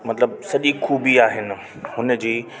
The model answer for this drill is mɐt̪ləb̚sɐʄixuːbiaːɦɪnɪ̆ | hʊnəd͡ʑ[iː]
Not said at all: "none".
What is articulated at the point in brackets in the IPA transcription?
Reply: iː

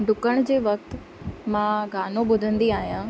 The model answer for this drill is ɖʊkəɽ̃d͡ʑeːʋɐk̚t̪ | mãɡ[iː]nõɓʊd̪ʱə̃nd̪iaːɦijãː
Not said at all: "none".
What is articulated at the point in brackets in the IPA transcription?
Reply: aː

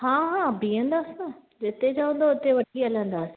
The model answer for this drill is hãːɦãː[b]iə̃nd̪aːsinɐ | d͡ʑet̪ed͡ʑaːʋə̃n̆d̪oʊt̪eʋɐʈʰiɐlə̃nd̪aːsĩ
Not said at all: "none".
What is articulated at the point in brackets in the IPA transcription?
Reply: b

